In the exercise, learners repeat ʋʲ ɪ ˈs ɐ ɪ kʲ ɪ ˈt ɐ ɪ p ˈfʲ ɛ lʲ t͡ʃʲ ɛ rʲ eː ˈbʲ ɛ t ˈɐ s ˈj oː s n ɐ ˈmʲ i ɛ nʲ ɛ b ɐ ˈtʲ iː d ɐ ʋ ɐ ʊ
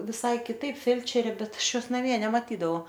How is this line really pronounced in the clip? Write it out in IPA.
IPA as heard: ʋʲ ɪ ˈs ɐ ɪ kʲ ɪ ˈt ɐ ɪ p ˈfʲ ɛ lʲ t͡ʃʲ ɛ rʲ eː ˈbʲ ɛ t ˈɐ ʃ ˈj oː s n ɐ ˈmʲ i ɛ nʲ ɛ m ɐ ˈtʲ iː d ɐ ʋ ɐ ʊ